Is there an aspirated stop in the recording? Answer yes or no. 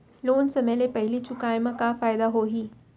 no